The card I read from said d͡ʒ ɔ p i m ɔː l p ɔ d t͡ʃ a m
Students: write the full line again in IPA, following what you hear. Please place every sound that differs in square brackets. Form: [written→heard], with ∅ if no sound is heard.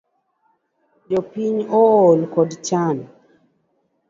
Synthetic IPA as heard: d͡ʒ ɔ p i [m→ɲ] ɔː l [p→k] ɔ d t͡ʃ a [m→n]